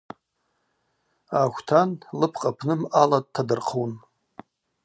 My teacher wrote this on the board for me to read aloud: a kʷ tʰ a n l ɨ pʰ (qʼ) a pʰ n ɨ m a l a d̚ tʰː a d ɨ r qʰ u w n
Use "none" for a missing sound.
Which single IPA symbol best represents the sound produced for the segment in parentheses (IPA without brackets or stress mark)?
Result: qʼ